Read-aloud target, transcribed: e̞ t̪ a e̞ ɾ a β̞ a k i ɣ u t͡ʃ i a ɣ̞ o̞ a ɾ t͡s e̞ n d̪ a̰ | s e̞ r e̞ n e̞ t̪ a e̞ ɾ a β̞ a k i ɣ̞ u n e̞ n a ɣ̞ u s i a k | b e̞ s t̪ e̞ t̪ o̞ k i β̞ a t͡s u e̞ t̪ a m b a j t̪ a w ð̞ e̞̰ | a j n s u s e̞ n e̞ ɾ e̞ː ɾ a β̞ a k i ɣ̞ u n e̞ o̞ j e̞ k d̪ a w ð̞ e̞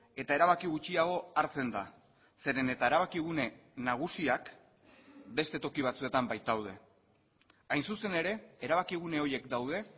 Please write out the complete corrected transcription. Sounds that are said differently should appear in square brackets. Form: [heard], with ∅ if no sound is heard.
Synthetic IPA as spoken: e̞ t̪ a e̞ ɾ a β̞ a k i ɣ u t͡ʃ i a ɣ̞ o̞ a ɾ t͡s e̞ n d̪ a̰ | s e̞ [ɾ] e̞ n e̞ t̪ a e̞ ɾ a β̞ a k i ɣ̞ u n e̞ n a ɣ̞ u s i a k | b e̞ s t̪ e̞ t̪ o̞ k i β̞ a t͡s u e̞ t̪ a m b a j t̪ a w ð̞ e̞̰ | a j n s u s e̞ n e̞ ɾ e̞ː ɾ a β̞ a k i ɣ̞ u n e̞ o̞ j e̞ k d̪ a w ð̞ e̞